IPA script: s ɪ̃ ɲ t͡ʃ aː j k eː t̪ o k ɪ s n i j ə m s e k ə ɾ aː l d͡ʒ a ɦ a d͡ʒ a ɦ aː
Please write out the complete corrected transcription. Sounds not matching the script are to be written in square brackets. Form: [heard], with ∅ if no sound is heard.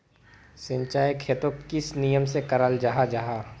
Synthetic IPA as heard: s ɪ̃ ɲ t͡ʃ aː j [kʰ] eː t̪ o k ɪ s n i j ə m s e k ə ɾ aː l d͡ʒ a ɦ a d͡ʒ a ɦ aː